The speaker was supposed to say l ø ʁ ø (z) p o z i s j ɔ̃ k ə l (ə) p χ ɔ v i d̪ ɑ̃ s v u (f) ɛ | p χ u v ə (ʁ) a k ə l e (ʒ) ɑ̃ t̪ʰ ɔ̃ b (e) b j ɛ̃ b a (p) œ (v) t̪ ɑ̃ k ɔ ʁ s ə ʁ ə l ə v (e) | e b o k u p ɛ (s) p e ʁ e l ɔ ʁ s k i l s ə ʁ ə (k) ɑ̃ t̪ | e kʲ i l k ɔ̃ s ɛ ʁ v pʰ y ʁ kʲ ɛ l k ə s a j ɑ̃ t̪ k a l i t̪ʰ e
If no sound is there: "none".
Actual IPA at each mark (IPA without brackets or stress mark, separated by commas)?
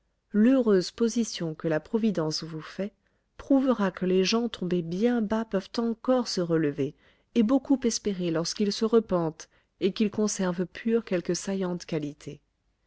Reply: z, a, f, ʁ, ʒ, e, p, v, e, s, p